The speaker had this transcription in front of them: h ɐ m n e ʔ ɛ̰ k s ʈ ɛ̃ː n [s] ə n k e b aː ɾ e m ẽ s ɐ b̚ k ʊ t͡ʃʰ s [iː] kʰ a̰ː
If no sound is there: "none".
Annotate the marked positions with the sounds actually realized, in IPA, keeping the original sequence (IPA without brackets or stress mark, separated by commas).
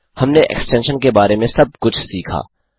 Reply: ʃ, iː